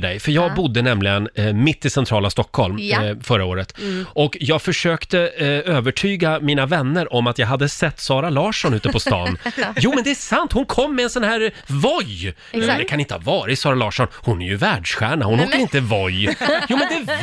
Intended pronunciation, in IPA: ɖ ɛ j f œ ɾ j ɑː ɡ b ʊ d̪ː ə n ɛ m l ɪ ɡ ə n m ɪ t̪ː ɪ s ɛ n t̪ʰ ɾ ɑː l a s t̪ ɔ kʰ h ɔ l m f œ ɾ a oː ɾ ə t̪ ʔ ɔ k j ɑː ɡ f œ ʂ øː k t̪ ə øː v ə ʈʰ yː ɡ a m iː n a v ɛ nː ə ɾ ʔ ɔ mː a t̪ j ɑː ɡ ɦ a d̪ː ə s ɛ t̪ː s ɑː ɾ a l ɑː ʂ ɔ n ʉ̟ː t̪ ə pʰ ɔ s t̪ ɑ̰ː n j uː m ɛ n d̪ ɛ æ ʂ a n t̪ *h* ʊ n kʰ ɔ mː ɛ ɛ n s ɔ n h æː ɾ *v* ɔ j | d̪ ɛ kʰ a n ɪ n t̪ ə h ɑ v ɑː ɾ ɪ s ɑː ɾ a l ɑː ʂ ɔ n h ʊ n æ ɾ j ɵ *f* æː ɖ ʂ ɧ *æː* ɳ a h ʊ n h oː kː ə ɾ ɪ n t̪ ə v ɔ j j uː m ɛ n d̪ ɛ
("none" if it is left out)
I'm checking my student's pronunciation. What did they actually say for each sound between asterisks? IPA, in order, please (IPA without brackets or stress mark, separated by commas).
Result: h, v, v, æː